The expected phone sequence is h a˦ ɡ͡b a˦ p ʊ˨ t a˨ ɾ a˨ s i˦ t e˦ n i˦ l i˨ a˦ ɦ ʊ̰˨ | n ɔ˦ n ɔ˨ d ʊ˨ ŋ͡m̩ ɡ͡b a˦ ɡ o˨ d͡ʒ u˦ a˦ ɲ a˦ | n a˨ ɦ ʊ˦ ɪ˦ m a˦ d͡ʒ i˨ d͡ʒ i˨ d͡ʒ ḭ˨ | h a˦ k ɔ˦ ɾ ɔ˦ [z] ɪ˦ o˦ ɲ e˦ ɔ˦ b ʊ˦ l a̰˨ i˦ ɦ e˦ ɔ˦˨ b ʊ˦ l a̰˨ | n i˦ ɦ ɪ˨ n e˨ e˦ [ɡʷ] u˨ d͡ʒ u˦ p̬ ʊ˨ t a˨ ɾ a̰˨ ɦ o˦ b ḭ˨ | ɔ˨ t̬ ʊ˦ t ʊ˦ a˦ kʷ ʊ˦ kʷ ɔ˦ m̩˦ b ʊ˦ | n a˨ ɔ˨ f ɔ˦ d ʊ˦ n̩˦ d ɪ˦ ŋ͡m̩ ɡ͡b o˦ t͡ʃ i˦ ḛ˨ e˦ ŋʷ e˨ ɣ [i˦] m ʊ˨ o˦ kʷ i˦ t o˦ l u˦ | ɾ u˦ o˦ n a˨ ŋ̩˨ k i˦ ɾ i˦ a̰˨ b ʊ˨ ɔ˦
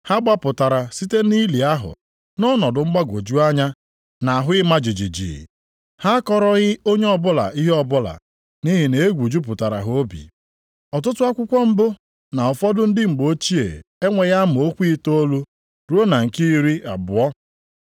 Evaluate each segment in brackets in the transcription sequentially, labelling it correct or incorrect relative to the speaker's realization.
incorrect: ɣ, correct, incorrect: a˦

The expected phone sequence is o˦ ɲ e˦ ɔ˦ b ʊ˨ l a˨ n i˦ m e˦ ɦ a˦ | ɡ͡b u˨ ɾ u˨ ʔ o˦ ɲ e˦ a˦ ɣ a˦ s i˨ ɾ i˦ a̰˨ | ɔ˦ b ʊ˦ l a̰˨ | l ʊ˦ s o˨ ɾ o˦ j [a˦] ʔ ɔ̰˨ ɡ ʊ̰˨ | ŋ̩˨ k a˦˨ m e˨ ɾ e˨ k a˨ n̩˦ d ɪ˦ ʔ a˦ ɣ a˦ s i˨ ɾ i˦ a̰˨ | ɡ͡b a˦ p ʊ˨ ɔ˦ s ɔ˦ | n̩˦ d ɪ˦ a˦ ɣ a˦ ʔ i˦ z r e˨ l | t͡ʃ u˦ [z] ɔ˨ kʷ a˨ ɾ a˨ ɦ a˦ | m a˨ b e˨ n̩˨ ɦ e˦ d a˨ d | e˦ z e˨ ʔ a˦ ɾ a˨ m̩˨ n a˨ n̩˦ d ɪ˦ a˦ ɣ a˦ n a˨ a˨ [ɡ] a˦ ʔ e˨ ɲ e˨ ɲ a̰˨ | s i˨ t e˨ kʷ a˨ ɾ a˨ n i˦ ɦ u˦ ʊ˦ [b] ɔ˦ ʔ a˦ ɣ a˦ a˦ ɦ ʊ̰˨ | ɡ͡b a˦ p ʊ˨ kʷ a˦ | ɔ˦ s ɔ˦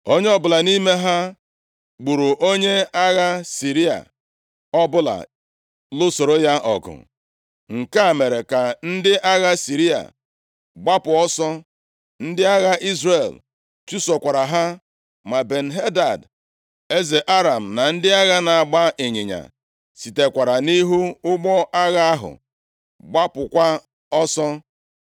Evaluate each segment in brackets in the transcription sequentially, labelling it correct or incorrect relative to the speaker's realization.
correct, incorrect: s, incorrect: ɡ͡b, incorrect: ɡ͡b

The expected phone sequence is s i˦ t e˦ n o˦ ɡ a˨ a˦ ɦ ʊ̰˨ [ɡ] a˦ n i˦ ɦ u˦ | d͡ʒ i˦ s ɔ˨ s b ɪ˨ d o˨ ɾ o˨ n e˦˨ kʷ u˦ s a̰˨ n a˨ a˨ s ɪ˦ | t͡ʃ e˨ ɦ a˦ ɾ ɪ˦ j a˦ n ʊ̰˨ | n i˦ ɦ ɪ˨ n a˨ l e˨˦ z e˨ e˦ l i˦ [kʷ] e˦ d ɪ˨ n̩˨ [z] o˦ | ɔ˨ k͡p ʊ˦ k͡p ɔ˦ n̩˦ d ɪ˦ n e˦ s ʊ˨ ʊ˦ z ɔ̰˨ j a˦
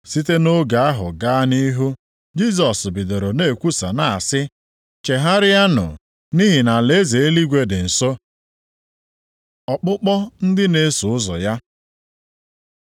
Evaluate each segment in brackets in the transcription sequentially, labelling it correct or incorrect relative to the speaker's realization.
correct, incorrect: ɡʷ, incorrect: s

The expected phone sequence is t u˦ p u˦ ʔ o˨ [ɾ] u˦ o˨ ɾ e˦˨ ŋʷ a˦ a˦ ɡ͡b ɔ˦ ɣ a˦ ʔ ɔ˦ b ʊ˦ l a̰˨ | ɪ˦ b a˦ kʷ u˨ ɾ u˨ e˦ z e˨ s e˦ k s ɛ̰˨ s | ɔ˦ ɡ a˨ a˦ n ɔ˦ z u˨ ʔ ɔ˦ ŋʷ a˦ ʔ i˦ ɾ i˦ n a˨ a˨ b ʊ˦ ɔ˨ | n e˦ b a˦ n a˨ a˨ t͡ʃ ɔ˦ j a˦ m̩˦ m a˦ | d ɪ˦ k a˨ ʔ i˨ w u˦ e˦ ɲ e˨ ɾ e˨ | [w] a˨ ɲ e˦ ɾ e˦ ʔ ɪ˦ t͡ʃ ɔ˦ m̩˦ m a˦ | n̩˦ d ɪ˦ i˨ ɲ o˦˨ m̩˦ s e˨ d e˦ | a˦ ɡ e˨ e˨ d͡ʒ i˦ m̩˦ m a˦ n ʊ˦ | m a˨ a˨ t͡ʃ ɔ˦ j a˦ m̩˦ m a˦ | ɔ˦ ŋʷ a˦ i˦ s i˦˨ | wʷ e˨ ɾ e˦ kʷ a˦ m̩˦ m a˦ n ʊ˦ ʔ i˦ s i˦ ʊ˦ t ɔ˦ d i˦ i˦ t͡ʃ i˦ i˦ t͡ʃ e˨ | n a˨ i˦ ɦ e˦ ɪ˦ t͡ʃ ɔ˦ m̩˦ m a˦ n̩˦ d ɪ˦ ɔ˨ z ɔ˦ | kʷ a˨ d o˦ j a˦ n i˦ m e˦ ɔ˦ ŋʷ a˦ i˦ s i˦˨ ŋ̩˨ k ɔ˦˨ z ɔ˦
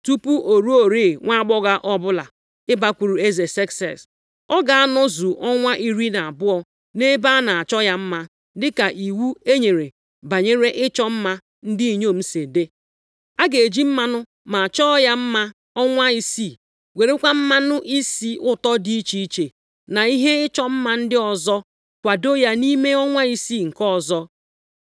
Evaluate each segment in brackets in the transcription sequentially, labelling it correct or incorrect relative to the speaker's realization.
correct, incorrect: b

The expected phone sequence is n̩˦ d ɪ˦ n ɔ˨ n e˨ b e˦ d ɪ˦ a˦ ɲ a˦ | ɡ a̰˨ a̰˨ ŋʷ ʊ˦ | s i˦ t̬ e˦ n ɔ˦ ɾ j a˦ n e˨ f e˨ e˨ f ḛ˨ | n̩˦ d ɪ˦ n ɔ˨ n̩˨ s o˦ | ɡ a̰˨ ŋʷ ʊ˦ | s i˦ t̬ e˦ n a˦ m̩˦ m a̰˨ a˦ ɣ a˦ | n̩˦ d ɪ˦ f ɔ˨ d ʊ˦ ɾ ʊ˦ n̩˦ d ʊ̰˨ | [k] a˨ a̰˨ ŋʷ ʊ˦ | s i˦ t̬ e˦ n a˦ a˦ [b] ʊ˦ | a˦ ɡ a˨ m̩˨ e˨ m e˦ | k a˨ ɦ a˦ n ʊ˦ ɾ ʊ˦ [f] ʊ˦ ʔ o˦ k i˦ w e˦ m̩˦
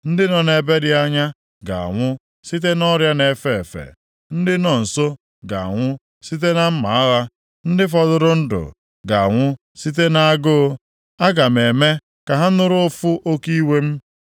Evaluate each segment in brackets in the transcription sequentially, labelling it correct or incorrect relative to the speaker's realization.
incorrect: ɡ, incorrect: ɡ, correct

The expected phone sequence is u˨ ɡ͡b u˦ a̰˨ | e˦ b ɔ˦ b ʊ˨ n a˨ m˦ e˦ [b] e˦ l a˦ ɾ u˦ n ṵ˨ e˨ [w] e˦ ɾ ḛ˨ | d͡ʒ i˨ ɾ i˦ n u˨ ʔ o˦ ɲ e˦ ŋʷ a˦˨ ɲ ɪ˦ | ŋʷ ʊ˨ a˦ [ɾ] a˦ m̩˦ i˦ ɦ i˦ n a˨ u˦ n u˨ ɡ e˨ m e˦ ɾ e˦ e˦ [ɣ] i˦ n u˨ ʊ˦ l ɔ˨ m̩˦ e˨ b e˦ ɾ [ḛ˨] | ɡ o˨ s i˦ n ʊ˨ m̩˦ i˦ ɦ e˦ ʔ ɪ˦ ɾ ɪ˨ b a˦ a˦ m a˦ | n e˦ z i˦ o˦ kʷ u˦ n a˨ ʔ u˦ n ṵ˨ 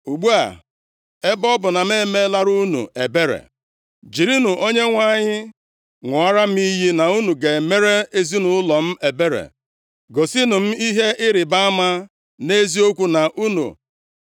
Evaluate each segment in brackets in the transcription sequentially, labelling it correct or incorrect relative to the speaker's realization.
incorrect: m, incorrect: b, correct, incorrect: z, correct

